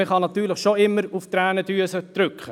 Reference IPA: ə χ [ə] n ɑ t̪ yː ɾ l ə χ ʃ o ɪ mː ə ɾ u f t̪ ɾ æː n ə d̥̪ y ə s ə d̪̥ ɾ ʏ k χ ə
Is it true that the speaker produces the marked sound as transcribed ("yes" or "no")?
no